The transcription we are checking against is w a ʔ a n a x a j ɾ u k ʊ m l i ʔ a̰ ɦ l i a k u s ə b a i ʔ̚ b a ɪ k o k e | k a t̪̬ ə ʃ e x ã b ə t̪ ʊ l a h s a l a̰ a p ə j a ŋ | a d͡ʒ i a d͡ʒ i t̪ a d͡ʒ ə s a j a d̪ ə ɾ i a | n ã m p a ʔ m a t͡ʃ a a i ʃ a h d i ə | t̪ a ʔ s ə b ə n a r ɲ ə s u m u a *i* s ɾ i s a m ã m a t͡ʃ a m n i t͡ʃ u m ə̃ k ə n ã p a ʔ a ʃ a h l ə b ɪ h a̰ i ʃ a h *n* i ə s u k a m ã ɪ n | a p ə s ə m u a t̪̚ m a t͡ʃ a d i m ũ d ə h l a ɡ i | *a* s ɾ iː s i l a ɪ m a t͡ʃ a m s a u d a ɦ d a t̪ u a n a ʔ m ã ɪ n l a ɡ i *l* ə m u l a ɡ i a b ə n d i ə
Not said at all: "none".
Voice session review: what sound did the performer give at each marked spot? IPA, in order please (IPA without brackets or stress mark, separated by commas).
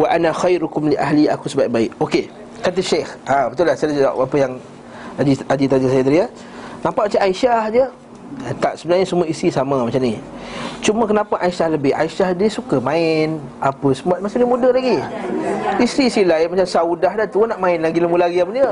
i, d, i, l